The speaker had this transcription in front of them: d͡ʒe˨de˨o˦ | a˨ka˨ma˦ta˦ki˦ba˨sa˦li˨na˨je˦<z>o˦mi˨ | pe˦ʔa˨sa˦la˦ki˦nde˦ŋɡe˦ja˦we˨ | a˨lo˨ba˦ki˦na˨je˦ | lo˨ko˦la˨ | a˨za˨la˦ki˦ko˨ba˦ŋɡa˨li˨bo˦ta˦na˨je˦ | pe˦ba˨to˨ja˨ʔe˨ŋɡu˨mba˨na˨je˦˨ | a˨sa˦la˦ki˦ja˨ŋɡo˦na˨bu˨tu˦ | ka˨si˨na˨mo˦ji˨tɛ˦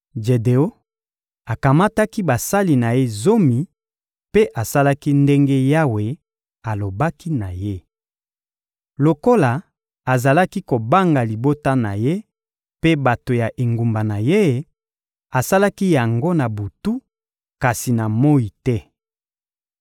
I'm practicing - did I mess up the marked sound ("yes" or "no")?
no